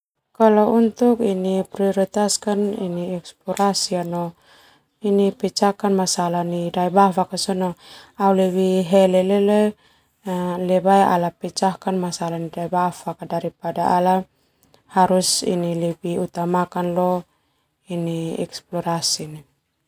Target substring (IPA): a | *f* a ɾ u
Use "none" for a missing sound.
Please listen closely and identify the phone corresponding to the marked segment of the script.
h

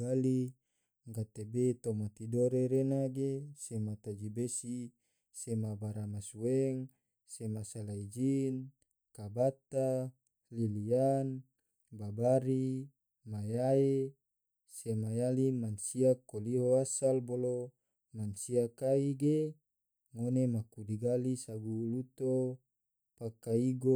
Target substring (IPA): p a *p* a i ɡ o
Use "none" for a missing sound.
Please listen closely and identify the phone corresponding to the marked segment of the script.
k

